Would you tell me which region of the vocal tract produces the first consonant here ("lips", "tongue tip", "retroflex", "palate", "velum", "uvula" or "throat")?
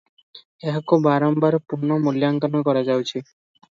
throat